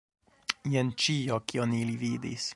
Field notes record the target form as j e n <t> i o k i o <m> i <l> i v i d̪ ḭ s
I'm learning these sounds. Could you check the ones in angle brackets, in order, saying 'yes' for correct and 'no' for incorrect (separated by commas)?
no, no, yes